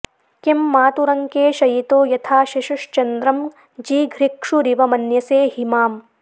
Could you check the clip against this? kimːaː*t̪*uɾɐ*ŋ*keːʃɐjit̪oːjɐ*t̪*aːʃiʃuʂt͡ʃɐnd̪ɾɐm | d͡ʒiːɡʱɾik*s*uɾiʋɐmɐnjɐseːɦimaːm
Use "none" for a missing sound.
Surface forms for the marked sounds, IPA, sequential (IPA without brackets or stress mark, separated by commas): t̪, ŋ, t̪ʰ, ʂ